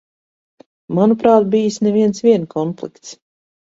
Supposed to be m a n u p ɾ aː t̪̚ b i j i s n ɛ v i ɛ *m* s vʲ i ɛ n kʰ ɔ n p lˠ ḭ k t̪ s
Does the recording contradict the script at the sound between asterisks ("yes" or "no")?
yes